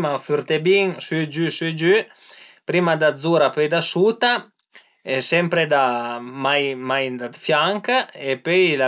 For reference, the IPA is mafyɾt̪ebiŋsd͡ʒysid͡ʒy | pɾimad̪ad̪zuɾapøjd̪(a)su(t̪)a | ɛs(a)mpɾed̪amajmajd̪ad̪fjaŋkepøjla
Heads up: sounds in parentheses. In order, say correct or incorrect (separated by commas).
correct, correct, incorrect